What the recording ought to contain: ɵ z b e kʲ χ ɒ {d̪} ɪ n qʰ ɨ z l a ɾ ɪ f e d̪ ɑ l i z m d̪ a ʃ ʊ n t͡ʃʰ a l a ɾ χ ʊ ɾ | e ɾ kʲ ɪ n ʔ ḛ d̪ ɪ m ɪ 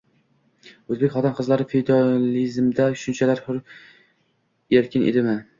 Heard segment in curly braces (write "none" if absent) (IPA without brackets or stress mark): t̪